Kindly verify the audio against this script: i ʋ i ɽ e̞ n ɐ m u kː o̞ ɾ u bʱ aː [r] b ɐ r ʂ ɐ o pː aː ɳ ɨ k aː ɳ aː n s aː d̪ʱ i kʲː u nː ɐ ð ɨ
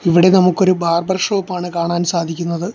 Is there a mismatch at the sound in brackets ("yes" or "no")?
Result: no